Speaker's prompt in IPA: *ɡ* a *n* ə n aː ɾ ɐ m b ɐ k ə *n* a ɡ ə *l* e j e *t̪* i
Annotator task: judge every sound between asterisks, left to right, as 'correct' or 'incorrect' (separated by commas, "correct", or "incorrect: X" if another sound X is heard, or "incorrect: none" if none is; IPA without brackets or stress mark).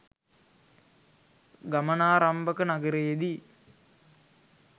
correct, incorrect: m, correct, incorrect: ɾ, incorrect: d̪